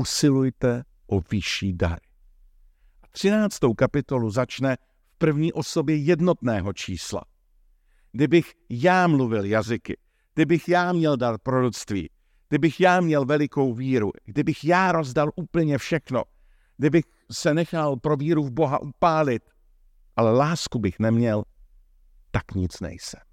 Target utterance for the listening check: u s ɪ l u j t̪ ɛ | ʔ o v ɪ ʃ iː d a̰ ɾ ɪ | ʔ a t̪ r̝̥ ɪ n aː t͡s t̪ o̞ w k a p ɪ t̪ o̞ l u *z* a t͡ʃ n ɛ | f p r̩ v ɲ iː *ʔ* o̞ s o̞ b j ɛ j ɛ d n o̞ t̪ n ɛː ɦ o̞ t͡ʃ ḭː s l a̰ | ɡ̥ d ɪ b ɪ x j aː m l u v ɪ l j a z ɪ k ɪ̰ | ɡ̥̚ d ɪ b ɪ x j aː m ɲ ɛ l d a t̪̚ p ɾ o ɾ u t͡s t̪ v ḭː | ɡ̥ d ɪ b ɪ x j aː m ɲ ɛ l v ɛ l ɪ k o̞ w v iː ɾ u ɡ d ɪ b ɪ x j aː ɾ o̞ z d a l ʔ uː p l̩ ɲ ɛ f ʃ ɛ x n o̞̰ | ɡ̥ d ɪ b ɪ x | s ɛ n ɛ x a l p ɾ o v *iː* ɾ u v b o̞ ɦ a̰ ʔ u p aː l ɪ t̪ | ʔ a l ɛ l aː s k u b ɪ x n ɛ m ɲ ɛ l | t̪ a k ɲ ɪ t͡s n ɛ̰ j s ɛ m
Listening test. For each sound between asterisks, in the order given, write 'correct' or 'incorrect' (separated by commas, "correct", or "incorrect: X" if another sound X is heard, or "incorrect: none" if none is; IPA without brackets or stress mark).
correct, correct, correct